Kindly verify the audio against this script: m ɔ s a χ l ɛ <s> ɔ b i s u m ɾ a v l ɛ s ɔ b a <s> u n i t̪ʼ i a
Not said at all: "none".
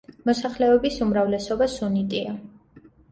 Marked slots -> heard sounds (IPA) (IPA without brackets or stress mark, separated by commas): none, s